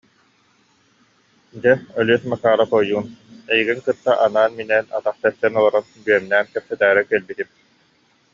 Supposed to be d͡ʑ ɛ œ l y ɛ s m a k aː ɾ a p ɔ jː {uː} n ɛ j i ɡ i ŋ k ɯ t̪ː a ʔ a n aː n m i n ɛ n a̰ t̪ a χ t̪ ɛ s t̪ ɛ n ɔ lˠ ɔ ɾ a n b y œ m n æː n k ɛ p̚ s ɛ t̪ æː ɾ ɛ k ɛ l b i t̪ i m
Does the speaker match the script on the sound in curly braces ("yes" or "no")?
yes